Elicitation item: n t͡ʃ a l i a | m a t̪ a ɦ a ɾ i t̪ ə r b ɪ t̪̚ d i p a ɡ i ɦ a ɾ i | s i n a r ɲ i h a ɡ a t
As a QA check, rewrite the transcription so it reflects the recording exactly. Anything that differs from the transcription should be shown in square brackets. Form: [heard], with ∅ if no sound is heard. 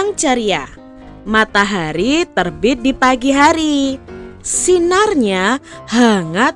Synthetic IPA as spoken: [ŋ] t͡ʃ a [ɾ] i a | m a t̪ a ɦ a ɾ i t̪ ə r b ɪ t̪̚ d i p a ɡ i ɦ a ɾ i | s i n a r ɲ [a] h a [ŋ] a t